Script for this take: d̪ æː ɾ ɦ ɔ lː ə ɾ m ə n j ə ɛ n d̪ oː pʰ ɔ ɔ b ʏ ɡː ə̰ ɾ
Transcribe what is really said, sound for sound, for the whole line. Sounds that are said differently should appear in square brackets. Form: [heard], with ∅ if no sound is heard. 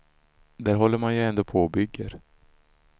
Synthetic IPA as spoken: d̪ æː ɾ ɦ ɔ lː ə ɾ m [a] n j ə ɛ n d̪ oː pʰ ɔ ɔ b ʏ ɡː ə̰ ɾ